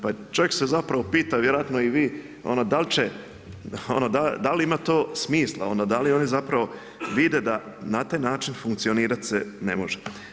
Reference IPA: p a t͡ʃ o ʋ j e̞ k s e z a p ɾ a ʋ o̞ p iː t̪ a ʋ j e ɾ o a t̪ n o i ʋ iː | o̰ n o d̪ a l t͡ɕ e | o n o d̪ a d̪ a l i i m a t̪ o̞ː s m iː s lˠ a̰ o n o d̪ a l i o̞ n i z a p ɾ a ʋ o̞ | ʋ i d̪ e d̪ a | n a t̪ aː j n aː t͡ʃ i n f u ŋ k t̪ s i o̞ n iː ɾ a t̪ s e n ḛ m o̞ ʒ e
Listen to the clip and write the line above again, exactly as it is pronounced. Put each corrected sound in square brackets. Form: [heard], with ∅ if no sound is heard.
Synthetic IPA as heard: p a t͡ʃ o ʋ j e̞ k s e z a p ɾ a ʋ o̞ p iː t̪ a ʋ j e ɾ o a t̪ n o i ʋ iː | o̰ n o d̪ a l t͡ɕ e | o n o d̪ a d̪ a l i i m a t̪ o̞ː s m iː s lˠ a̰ o n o d̪ a l i o̞ n i z a p ɾ a ʋ o̞ | ʋ i d̪ e d̪ a | n a t̪ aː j n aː t͡ʃ i n f u ŋ k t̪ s i o̞ n iː ɾ a t̪ s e n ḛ m o̞ ʒ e